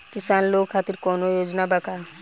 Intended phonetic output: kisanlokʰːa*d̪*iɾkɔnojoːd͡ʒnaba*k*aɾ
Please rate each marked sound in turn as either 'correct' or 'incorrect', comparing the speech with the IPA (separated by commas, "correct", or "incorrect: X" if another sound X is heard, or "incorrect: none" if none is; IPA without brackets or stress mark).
incorrect: t̪, correct